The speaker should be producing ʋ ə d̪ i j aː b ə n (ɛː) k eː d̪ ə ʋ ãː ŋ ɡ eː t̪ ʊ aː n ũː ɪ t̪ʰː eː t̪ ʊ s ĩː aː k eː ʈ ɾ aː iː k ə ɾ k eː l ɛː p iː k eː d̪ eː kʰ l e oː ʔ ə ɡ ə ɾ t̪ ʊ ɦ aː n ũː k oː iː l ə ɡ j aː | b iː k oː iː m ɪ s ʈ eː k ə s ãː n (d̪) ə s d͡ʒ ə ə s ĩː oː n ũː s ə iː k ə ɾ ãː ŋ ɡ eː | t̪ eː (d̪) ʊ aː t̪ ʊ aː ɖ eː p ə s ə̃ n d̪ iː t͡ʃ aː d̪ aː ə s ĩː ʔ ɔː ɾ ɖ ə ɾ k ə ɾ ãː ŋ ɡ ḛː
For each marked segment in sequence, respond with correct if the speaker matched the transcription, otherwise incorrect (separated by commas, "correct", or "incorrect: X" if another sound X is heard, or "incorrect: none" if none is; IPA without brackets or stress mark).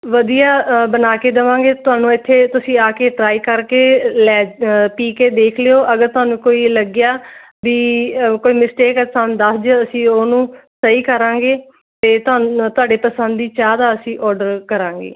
incorrect: aː, correct, incorrect: t̪